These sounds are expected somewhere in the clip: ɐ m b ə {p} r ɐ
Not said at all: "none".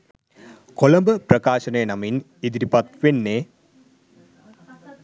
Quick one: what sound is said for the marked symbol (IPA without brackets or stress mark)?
p